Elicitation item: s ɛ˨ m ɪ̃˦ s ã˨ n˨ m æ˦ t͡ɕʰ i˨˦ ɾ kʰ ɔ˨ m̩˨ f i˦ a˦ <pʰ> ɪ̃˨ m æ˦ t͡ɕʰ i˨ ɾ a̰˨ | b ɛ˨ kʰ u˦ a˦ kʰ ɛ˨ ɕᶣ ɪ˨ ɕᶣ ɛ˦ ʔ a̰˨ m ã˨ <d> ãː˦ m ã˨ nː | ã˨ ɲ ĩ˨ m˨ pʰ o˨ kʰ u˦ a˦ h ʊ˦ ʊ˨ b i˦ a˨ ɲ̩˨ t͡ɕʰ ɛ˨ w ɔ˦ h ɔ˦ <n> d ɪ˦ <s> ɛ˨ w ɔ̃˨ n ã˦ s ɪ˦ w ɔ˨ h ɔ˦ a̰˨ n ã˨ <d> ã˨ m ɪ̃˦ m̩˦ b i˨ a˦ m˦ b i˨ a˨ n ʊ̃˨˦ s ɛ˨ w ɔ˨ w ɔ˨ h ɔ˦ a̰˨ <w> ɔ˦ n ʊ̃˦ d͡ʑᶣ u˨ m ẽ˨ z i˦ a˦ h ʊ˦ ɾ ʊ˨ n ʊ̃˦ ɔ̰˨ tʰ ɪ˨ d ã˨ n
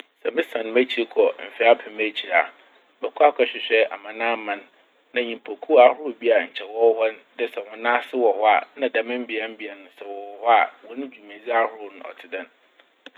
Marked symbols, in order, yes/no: yes, no, yes, yes, yes, yes

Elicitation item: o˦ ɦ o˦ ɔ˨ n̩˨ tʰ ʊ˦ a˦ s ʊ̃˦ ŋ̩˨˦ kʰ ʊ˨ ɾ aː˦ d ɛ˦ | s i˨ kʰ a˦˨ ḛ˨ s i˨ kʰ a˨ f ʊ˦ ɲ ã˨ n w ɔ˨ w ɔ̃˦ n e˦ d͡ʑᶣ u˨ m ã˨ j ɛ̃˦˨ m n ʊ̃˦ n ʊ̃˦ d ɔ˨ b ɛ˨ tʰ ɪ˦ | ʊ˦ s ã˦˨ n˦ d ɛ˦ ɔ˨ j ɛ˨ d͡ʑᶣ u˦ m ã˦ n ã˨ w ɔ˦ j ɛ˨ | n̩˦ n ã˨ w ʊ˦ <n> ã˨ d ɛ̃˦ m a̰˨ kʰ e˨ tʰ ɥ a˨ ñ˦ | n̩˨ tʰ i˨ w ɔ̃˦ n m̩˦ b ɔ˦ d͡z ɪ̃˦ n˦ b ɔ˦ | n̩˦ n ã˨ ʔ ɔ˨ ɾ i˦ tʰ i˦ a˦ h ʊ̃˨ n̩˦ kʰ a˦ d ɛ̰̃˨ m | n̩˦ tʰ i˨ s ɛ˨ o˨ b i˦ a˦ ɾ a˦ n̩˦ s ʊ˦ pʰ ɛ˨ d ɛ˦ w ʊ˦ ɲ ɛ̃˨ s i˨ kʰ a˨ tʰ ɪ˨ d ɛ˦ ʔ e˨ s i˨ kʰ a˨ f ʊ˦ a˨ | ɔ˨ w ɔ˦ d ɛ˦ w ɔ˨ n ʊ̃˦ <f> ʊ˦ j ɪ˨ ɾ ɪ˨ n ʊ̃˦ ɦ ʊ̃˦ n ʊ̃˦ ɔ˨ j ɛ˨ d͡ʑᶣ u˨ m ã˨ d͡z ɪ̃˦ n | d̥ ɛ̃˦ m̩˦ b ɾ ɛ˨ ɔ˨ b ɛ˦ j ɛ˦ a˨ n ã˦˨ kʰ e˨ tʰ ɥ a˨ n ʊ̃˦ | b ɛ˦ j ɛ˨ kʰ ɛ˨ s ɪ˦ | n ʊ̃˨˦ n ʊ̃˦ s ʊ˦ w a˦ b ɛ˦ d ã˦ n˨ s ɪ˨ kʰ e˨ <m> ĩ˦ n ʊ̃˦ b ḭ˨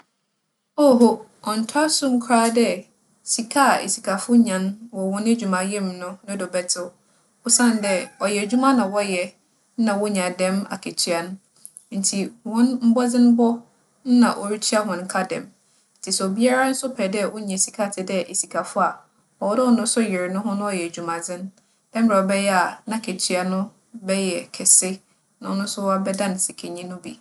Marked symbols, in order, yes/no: no, no, no

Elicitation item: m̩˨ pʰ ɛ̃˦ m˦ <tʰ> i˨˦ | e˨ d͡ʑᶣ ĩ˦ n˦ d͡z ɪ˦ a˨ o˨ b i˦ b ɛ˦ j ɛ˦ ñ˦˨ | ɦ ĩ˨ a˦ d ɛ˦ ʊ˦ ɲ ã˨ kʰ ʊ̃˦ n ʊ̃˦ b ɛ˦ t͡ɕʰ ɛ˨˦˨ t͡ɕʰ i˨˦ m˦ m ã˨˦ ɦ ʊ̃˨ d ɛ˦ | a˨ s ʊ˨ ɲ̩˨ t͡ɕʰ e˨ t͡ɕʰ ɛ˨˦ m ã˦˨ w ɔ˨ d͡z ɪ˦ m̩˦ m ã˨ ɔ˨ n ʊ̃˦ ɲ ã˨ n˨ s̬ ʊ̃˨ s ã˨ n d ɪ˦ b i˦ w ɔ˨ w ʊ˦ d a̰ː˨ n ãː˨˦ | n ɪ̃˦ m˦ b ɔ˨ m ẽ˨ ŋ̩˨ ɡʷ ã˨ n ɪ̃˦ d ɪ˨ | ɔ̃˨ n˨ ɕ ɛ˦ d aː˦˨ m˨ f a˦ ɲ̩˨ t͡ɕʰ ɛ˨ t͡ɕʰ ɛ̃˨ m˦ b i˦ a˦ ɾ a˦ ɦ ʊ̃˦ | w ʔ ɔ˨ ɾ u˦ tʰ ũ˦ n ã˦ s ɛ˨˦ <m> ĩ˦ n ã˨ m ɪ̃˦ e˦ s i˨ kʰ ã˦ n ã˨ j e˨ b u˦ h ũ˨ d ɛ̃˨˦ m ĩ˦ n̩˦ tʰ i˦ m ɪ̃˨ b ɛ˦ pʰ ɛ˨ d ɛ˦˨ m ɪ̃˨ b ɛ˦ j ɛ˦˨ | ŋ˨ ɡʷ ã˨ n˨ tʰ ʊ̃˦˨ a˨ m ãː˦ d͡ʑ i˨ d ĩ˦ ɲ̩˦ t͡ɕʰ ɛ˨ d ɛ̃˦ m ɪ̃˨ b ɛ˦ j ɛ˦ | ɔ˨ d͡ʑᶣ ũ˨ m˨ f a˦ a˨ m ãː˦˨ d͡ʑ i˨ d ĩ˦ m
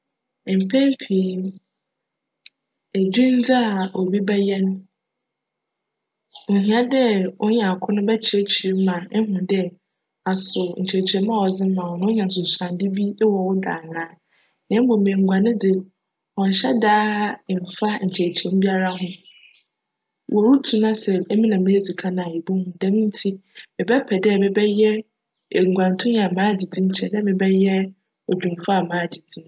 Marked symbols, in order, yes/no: no, yes

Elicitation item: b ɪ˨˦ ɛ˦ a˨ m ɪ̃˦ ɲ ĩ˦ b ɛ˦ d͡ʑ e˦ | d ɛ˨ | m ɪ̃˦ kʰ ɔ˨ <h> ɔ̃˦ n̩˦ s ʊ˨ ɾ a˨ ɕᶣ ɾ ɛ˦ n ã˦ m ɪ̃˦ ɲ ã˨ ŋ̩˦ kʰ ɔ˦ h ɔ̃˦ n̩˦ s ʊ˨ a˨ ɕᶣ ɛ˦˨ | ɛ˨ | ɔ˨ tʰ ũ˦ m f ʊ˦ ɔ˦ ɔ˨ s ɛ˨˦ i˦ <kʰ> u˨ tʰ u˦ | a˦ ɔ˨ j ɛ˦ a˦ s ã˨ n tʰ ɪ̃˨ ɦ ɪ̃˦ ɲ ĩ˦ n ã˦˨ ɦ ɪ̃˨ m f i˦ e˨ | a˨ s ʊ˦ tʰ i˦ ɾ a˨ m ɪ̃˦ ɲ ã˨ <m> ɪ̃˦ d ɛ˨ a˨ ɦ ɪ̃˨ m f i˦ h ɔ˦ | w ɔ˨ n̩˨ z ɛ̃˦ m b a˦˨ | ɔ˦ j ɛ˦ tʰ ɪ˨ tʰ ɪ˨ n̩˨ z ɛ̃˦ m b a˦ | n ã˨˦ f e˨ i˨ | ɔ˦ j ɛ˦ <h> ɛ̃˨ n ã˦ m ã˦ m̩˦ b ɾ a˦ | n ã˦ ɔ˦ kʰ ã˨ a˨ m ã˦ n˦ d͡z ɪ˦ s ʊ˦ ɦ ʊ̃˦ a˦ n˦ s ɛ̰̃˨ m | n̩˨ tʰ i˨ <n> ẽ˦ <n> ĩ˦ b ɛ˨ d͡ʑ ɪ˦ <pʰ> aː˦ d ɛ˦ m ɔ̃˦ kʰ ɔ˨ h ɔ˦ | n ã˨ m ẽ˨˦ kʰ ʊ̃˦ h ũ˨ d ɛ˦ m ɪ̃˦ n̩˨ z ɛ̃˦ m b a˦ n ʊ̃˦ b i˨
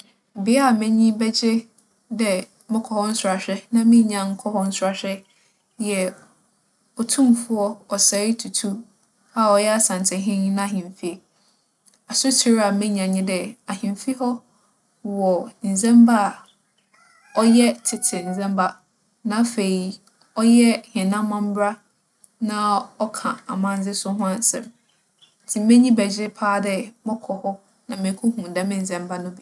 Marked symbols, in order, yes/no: yes, no, no, yes, no, no, yes

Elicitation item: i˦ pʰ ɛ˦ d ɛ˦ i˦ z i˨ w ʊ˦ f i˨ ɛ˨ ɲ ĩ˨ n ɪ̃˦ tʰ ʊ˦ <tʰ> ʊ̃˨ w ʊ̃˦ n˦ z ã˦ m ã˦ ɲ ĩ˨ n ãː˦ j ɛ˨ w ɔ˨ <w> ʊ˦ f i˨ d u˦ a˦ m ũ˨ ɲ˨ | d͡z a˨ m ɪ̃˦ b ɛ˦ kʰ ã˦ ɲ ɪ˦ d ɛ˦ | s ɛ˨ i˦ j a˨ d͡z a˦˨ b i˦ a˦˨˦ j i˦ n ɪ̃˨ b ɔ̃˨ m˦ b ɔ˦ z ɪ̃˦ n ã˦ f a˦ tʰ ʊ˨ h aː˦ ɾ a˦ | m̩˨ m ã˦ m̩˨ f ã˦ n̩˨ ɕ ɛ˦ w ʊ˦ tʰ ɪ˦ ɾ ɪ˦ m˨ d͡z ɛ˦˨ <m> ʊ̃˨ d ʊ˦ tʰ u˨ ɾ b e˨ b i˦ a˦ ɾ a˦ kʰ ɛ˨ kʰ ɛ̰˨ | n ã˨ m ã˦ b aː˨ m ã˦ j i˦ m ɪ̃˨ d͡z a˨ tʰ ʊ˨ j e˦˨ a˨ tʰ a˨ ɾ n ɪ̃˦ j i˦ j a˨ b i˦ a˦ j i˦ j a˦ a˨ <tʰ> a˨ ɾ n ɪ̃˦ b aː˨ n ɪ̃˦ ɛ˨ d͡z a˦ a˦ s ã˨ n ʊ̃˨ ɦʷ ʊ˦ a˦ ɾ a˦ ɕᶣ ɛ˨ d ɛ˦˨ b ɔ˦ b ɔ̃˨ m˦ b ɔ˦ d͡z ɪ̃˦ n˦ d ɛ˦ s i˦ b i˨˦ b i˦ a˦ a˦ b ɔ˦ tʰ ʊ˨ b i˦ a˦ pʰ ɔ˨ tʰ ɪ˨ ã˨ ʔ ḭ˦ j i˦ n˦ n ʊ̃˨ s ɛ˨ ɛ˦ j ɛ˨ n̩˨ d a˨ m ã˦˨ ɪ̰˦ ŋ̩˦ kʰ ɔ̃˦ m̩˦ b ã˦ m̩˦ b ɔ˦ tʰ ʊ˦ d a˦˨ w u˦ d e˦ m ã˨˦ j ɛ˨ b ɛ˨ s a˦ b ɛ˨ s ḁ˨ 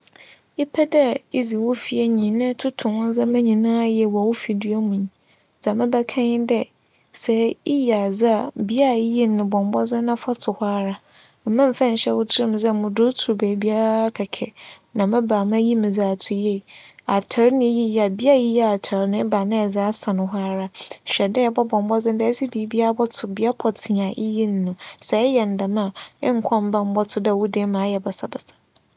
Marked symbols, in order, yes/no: yes, yes, yes, yes

